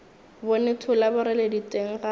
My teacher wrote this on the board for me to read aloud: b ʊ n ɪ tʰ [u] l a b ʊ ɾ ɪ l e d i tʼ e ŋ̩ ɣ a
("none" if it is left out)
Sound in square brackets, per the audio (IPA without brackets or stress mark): ʊ